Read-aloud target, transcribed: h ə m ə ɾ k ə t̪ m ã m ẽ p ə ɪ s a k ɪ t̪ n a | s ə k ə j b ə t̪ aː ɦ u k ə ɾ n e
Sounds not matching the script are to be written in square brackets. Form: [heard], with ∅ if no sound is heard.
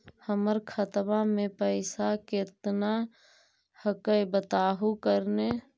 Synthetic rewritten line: h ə m ə ɾ [kʰ] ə t̪ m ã m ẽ p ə ɪ s a k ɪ t̪ n a | [h] ə k ə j b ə t̪ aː ɦ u k ə ɾ n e